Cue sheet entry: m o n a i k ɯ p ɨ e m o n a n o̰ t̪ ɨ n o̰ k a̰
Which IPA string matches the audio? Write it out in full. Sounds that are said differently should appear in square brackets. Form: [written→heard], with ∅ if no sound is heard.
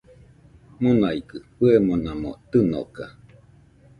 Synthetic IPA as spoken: m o n a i k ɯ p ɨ e m o n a [n→m] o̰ t̪ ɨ n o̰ k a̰